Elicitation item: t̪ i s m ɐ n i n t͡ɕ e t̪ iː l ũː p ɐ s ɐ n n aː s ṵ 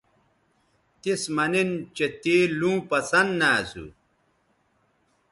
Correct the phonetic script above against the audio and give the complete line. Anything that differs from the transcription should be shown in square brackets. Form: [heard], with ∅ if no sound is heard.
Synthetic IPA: t̪ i s m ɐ n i n t͡ɕ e t̪ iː l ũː p ɐ s ɐ n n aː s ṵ